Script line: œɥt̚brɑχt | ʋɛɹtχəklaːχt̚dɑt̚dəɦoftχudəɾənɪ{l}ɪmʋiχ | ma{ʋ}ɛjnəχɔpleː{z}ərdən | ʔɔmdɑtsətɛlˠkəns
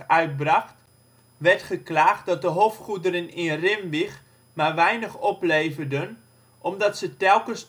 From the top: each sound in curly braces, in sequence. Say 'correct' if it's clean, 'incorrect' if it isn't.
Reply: incorrect: r, correct, incorrect: v

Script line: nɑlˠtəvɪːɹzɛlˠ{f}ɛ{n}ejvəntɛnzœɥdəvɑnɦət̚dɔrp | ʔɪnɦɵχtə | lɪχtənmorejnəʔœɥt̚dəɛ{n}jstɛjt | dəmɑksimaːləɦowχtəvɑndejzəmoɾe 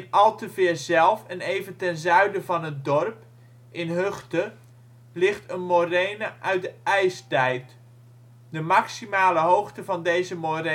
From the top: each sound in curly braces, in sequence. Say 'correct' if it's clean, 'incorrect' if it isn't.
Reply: correct, correct, incorrect: none

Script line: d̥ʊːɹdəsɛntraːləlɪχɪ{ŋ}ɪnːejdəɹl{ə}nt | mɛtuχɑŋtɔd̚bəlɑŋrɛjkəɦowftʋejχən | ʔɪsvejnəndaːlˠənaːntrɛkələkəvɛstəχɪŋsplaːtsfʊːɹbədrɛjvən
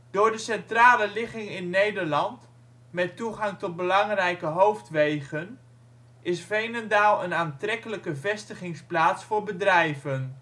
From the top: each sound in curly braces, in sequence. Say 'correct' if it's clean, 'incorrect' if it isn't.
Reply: correct, incorrect: ɑ

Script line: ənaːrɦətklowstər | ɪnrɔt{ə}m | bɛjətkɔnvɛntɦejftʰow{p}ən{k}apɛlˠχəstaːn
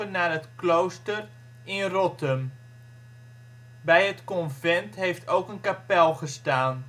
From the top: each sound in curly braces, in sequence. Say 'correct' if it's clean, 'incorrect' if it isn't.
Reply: correct, incorrect: k, correct

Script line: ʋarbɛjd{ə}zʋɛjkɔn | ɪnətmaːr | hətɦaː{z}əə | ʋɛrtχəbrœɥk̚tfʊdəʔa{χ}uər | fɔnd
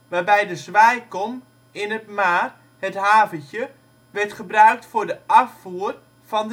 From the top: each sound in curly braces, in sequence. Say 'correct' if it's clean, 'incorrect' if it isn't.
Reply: correct, incorrect: v, incorrect: f

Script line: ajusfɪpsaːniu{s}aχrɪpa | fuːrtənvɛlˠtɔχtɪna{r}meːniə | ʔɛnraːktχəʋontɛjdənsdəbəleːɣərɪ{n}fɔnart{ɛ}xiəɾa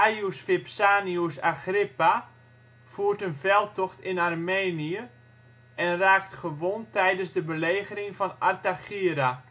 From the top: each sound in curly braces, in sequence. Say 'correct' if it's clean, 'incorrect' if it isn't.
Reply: correct, correct, incorrect: ŋ, incorrect: a

